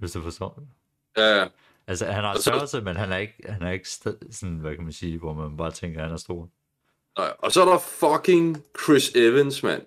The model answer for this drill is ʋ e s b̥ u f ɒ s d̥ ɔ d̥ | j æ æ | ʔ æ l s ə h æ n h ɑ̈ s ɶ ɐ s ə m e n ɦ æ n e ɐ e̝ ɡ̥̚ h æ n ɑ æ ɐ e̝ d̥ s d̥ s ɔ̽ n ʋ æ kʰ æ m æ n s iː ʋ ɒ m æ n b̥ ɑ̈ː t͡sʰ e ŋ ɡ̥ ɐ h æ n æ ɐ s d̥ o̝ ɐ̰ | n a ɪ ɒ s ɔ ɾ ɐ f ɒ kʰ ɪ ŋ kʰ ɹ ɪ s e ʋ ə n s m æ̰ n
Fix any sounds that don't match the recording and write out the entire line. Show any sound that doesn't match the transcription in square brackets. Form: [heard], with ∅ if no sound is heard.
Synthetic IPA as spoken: ʋ e s [d̥] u f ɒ s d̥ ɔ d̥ | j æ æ | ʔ æ l s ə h æ n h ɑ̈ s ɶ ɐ s ə m e n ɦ æ n [æ] ɐ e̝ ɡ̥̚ h æ n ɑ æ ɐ e̝ [ɡ̥] s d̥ s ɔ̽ n ʋ æ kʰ æ m æ n s iː ʋ ɒ m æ n b̥ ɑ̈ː t͡sʰ e ŋ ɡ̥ ɐ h æ n æ ɐ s d̥ o̝ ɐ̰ | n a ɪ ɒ s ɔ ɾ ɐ f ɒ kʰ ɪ ŋ kʰ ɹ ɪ s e ʋ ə n s m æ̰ n